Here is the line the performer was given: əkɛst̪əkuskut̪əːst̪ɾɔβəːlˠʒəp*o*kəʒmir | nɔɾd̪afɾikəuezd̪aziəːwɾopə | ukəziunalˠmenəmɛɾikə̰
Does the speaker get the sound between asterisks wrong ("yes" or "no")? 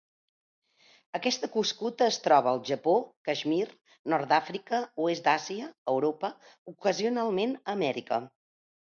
no